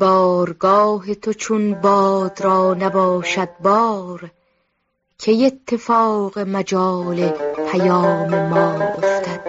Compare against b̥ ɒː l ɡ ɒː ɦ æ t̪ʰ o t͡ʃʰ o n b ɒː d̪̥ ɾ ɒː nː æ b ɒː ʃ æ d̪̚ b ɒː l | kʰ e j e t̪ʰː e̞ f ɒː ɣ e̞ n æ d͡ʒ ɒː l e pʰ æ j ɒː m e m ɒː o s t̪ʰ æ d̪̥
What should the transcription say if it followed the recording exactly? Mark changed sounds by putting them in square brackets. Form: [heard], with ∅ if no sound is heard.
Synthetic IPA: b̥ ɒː [ɾ] ɡ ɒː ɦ [e] t̪ʰ o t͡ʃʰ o n b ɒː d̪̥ ɾ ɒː [n] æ b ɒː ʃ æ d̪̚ b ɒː [ɾ] | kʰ e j e t̪ʰː e̞ f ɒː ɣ e̞ [m] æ d͡ʒ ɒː l e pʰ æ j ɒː m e m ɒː o [f] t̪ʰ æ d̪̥